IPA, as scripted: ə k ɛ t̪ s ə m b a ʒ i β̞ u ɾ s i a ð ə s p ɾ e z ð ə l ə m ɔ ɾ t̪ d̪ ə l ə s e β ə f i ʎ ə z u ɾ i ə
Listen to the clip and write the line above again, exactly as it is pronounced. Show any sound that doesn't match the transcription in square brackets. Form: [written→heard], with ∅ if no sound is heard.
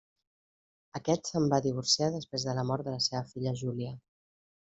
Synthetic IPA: ə k ɛ t̪ s ə m b a [ʒ→ð] i β̞ u ɾ s i a ð ə s p ɾ e z ð ə l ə m ɔ ɾ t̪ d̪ ə l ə s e β ə f i ʎ ə [z→ʒ] u [ɾ→l] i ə